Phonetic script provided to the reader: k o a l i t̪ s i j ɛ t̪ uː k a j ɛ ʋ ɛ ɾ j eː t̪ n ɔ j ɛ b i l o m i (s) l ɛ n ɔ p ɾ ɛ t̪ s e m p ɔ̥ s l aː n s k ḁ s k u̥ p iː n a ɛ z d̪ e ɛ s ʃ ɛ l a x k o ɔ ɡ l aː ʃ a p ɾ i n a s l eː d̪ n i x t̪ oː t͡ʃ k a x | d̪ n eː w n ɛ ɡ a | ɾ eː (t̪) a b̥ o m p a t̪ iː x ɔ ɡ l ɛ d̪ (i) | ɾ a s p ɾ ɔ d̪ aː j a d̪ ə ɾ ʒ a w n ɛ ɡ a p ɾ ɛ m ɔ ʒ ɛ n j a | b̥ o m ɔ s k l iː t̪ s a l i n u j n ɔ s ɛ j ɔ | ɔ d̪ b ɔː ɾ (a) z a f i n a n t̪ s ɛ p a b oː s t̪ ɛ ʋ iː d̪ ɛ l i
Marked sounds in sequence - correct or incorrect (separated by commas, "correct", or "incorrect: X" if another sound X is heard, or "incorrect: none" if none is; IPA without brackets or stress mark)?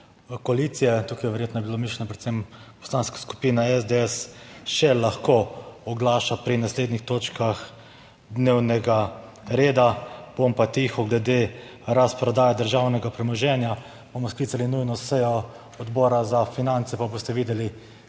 incorrect: ʃ, incorrect: d̪, incorrect: e, correct